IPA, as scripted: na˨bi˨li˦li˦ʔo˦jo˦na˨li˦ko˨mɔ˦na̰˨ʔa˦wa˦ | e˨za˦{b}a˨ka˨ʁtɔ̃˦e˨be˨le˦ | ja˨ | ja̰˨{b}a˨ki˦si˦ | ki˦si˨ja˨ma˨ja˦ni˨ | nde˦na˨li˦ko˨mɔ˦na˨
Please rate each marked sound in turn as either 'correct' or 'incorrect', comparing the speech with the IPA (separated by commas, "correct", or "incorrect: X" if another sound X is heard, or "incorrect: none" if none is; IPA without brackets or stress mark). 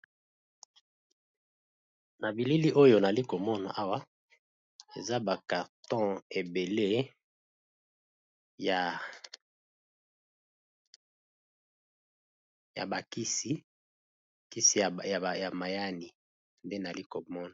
correct, correct